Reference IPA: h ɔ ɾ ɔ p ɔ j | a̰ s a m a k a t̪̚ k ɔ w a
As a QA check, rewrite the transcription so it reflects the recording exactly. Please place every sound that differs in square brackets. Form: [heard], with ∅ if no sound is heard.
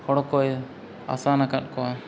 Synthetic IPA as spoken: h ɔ [ɽ] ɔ [k] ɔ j | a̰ s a [n] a k a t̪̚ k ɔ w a